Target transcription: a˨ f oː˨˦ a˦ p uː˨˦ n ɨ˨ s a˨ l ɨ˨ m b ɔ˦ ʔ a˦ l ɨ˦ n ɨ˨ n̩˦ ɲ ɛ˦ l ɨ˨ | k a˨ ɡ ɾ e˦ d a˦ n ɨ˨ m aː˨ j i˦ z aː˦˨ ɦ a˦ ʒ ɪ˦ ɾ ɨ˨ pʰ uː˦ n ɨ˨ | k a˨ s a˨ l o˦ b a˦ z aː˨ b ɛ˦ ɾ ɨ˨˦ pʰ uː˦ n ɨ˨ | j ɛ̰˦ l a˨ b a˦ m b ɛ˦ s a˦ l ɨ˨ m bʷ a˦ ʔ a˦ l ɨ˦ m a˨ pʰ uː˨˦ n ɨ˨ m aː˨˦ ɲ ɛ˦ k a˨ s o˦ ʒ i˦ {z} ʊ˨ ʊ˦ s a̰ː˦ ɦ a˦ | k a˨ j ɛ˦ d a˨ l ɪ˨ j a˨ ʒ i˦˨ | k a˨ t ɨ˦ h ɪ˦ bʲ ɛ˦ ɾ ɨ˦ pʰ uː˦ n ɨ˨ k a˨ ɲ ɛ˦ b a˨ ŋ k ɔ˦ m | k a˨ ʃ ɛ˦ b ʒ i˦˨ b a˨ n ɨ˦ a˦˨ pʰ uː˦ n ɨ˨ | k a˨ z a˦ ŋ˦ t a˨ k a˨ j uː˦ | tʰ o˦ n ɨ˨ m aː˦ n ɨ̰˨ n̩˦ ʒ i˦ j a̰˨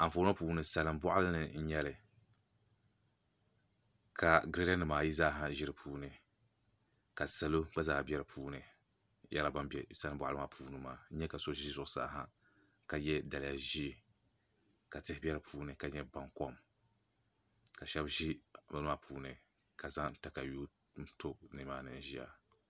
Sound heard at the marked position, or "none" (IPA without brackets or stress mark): z